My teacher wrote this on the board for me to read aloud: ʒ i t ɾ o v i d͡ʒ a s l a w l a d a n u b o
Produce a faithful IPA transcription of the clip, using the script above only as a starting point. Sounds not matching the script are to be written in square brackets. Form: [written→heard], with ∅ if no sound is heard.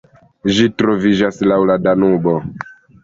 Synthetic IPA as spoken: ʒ i t ɾ o v i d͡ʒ a s l a w l a d a n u b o